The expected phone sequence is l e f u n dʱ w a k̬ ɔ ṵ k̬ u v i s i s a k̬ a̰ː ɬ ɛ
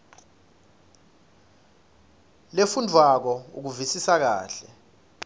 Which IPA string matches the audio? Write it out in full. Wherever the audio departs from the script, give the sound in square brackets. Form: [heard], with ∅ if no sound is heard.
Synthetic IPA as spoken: l e f u n dʱ w a k̬ ɔ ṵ k̬ u v i s i s a k̬ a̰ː ɬ ɛ